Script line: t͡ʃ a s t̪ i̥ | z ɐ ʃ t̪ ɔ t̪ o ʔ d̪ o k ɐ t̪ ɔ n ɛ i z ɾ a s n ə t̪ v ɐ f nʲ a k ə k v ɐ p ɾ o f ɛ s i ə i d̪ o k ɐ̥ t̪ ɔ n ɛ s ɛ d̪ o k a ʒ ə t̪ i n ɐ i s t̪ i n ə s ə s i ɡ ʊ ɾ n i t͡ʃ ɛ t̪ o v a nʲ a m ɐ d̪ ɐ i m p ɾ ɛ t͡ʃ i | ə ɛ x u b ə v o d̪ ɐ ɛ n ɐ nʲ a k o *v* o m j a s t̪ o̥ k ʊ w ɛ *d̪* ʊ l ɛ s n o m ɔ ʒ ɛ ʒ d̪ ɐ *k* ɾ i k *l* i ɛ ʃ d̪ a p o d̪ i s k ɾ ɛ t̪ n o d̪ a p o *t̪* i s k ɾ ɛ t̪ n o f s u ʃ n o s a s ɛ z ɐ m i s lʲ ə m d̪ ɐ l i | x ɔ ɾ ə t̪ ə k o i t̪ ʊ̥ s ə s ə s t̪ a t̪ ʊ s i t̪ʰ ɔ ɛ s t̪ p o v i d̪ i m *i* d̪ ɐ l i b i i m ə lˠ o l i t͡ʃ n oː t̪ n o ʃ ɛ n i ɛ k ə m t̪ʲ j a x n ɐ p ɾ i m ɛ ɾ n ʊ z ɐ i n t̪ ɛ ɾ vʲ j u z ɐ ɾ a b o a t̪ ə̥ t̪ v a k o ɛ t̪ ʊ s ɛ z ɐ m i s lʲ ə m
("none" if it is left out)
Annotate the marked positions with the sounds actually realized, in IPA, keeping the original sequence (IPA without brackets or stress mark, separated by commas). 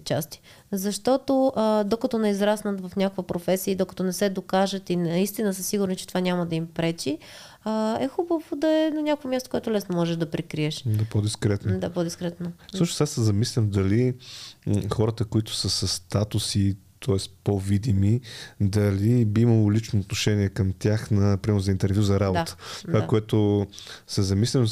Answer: v, t̪, p, ɾ, d̪, i